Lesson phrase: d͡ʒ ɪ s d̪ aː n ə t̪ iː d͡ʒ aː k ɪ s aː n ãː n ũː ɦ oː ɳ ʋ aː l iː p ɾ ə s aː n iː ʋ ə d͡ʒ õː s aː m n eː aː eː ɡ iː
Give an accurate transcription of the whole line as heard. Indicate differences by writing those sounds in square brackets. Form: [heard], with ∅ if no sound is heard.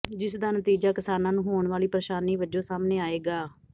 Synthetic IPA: d͡ʒ ɪ s d̪ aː n ə t̪ iː d͡ʒ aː k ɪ s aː n ãː n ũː ɦ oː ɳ ʋ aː l iː p ɾ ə [ʃ] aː n iː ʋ ə d͡ʒ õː s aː m n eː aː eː ɡ [aː]